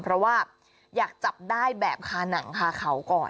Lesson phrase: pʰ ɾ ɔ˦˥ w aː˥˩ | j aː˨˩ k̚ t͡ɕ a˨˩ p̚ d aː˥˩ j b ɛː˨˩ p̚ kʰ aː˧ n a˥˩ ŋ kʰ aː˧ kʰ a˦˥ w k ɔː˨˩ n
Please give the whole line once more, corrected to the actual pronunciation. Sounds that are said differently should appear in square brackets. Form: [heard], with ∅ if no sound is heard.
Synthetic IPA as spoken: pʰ ɾ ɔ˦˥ w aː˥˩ | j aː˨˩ k̚ t͡ɕ a˨˩ p̚ d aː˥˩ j b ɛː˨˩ p̚ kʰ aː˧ n [a˩˦] ŋ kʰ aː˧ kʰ a˦˥ w k ɔː˨˩ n